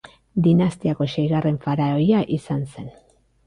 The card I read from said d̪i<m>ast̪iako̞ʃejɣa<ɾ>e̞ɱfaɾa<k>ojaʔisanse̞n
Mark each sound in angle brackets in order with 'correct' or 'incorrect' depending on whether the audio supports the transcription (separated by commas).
incorrect, incorrect, incorrect